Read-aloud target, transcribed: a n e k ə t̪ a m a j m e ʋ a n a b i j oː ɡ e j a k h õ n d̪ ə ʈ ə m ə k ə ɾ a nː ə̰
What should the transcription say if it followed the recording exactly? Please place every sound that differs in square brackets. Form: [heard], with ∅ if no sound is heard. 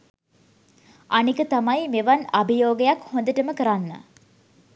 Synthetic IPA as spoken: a n [i] k ə t̪ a m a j m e ʋ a n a b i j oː ɡ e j a k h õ n d̪ ə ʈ ə m ə k ə ɾ a nː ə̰